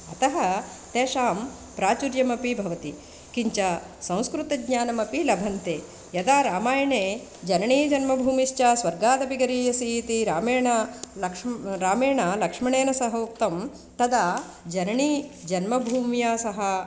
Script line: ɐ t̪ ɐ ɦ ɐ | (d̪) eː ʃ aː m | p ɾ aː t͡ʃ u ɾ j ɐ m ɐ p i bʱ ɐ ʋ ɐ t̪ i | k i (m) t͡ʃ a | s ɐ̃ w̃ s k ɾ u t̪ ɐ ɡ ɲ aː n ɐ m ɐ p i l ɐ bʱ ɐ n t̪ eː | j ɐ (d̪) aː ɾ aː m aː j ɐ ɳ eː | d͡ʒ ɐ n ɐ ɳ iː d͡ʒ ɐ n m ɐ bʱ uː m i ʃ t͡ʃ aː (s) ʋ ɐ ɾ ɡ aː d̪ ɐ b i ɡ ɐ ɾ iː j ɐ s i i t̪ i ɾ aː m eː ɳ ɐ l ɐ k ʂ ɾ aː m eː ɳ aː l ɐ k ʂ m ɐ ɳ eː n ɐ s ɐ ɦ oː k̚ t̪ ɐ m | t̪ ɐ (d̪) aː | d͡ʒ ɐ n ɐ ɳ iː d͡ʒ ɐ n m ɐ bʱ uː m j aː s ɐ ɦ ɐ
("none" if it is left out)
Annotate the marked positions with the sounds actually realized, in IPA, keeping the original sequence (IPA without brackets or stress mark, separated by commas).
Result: t̪, ɲ, d̪, s, d̪